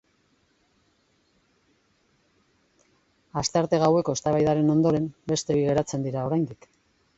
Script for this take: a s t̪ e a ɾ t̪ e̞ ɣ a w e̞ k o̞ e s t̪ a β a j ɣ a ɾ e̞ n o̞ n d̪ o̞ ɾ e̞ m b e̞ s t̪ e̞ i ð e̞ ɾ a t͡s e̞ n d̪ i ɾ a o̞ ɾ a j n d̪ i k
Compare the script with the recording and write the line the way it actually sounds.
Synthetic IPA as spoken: a s t̪ e a ɾ t̪ e̞ ɣ a w e̞ k o̞ e s t̪ a β a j ð a ɾ e̞ n o̞ n d̪ o̞ ɾ e̞ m b e̞ s t̪ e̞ i ɣ e̞ ɾ a t͡s e̞ n d̪ i ɾ a o̞ ɾ a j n d̪ i k

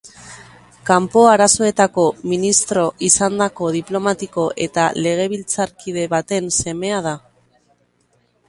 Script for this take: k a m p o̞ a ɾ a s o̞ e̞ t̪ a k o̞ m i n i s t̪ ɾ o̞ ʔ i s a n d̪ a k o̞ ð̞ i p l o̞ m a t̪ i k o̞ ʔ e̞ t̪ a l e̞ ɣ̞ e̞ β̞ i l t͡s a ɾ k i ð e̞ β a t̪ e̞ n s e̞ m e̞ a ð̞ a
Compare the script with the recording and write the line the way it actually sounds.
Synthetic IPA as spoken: k a m p o̞ a ɾ a s o̞ e̞ t̪ a k o̞ m i n i s t̪ ɾ o̞ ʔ i s a n d̪ a k o̞ ð̞ i p l o̞ m a t̪ i k o̞ ʔ e̞ t̪ a l e̞ ɣ̞ e̞ β̞ i l t͡s a ɾ k i ð e̞ β a t̪ e̞ n s e̞ m e̞ a ð̞ a

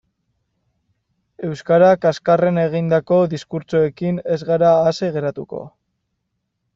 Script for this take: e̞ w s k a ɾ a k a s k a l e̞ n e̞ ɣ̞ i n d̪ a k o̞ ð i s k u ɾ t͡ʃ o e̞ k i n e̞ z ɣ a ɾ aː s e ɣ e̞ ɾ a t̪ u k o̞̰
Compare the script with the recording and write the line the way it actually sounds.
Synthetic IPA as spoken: e̞ w s k a ɾ a k a s k a r e̞ n e̞ ɣ̞ i n d̪ a k o̞ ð i s k u ɾ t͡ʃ o e̞ k i n e̞ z ɣ a ɾ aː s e ɣ e̞ ɾ a t̪ u k o̞̰

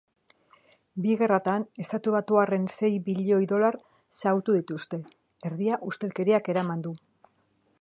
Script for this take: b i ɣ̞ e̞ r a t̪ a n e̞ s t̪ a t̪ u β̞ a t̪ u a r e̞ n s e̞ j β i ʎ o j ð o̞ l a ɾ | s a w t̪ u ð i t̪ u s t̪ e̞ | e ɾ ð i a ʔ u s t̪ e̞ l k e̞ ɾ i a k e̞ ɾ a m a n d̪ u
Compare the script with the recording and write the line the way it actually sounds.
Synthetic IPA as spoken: b i ɣ̞ e̞ r a t̪ a n e̞ s t̪ a t̪ u β̞ a t̪ u a r e̞ n s e̞ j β i ʎ o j ð o̞ l a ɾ | s a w t̪ u ð i t̪ u s t̪ e̞ | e ɾ ð i a ʔ u s t̪ e̞ l k e̞ ɾ i a k e̞ ɾ a m a n d̪ u

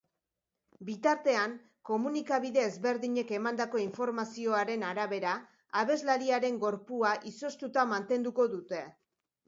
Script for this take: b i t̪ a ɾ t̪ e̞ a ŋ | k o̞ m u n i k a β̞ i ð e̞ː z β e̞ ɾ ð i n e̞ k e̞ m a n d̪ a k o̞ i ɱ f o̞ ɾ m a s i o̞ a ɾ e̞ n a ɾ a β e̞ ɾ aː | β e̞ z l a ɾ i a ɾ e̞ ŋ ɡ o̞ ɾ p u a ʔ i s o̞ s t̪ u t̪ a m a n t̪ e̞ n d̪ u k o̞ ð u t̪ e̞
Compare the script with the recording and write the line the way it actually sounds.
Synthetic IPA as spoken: b i t̪ a ɾ t̪ e̞ a ŋ | k o̞ m u n i k a β̞ i ð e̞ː z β e̞ ɾ ð i ɲ e̞ k e̞ m a n d̪ a k o̞ i ɱ f o̞ ɾ m a s i o̞ a ɾ e̞ n a ɾ a β e̞ ɾ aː | β e̞ z l a ɾ i a ɾ e̞ ŋ ɡ o̞ ɾ p u a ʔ i s o̞ s t̪ u t̪ a m a n t̪ e̞ n d̪ u k o̞ ð u t̪ e̞

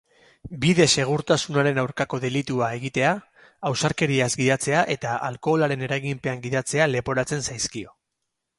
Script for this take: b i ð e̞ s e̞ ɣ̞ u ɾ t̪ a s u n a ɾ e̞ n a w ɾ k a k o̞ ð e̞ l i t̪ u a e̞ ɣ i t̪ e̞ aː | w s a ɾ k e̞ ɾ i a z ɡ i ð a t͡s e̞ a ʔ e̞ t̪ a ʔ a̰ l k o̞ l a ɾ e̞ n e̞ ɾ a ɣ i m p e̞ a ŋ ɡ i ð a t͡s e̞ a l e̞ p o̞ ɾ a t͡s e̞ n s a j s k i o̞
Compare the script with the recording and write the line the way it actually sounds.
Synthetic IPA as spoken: b i ð e̞ s e̞ ɣ̞ u ɾ t̪ a s u n a ɾ e̞ n a w ɾ k a k o̞ ð e̞ l i t̪ u a e̞ ɣ i t̪ e̞ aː | w s a ɾ k e̞ ɾ i a z ɡ i ð a t͡s e̞ a ʔ e̞ t̪ a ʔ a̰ l k o̞ l a ɾ e̞ n e̞ ɾ a ɣ i m p e̞ a ŋ ɡ i ð a t͡s e̞ a l e̞ p o̞ ɾ a t͡s e̞ n s a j s k i o̞

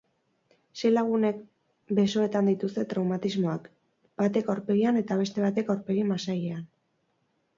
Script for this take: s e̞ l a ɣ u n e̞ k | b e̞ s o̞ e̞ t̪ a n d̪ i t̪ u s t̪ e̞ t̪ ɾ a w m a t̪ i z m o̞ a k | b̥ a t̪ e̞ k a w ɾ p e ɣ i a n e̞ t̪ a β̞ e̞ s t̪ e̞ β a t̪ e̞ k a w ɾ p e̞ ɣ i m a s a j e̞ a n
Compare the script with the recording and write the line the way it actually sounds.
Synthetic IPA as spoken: s e̞ l a ɣ u n e̞ k | b e̞ s o̞ e̞ t̪ a n d̪ i t̪ u s t̪ e̞ t̪ ɾ a w m a t̪ i z m o̞ a k | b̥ a t̪ e̞ k a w ɾ p e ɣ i a n e̞ t̪ a β̞ e̞ s t̪ e̞ β a t̪ e̞ k a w ɾ p e̞ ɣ i m a s a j e̞ a n

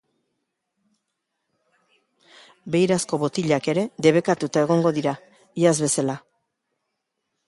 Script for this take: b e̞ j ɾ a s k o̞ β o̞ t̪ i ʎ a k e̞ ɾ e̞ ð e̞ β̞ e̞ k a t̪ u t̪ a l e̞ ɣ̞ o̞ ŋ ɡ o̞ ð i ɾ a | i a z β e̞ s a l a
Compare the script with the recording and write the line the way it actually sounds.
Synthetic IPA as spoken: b e̞ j ɾ a s k o̞ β o̞ t̪ i ʎ a k e̞ ɾ e̞ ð e̞ β̞ e̞ k a t̪ u t̪ a e̞ ɣ̞ o̞ ŋ ɡ o̞ ð i ɾ a | i a z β e̞ s a l a

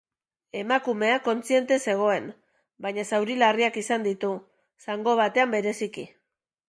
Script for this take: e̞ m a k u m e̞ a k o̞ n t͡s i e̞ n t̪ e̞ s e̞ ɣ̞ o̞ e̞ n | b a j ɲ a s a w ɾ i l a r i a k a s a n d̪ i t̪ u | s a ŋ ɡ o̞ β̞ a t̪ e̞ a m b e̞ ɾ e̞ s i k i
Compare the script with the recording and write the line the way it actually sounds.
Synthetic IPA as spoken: e̞ m a k u m e̞ a k o̞ n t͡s i e̞ n t̪ e̞ s e̞ ɣ̞ o̞ e̞ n | b a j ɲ a s a w ɾ i l a r i a k i s a n d̪ i t̪ u | s a ŋ ɡ o̞ β̞ a t̪ e̞ a m b e̞ ɾ e̞ s i k i

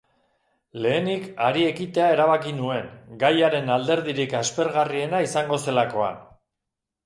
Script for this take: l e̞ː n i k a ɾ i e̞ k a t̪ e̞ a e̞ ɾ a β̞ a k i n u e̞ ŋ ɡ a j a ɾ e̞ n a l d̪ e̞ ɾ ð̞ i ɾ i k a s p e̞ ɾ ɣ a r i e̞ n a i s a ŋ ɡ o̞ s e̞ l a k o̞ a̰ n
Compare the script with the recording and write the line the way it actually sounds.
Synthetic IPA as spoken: l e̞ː n i k a ɾ i e̞ k i t̪ e̞ a e̞ ɾ a β̞ a k i n u e̞ ŋ ɡ a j a ɾ e̞ n a l d̪ e̞ ɾ ð̞ i ɾ i k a s p e̞ ɾ ɣ a r i e̞ n a i s a ŋ ɡ o̞ s e̞ l a k o̞ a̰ n

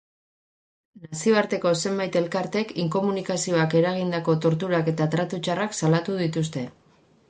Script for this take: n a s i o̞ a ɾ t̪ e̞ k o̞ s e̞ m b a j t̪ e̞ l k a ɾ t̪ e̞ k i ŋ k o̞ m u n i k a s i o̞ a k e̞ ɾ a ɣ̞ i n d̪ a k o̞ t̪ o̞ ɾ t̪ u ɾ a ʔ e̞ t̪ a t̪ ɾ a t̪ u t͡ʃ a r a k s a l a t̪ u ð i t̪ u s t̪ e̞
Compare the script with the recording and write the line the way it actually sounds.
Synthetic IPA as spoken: n a s i o̞ a ɾ t̪ e̞ k o̞ s e̞ m b a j t̪ e̞ l k a ɾ t̪ e̞ k i ŋ k o̞ m u n i k a s i o̞ a k e̞ ɾ a ɣ̞ i n d̪ a k o̞ t̪ o̞ ɾ t̪ u ɾ a k e̞ t̪ a t̪ ɾ a t̪ u t͡ʃ a r a k s a l a t̪ u ð i t̪ u s t̪ e̞

